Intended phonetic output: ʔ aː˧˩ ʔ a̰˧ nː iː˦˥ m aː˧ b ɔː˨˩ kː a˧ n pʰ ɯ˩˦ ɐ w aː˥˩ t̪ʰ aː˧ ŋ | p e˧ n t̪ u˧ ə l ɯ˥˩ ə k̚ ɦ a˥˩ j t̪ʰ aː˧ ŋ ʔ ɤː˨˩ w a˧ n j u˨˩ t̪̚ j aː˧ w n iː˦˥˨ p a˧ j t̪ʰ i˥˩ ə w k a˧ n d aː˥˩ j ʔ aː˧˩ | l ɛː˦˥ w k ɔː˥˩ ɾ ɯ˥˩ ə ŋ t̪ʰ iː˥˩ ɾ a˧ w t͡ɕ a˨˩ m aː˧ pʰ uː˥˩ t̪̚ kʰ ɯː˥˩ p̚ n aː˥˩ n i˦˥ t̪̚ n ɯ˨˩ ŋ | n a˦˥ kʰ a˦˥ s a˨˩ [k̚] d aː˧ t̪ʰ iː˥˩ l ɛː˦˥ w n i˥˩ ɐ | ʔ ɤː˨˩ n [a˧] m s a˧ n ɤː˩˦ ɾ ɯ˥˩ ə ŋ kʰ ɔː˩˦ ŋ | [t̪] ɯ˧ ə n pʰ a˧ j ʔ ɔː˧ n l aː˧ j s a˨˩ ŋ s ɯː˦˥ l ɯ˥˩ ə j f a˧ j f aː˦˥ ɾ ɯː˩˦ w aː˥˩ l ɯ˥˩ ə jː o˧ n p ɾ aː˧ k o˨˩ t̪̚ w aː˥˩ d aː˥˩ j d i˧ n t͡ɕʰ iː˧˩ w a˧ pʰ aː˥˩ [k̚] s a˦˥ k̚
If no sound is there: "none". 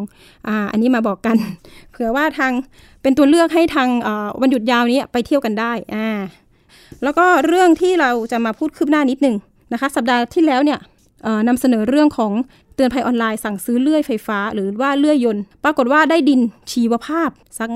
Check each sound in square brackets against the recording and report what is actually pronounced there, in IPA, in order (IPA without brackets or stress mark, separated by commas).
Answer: p̚, a˧, t̪, p̚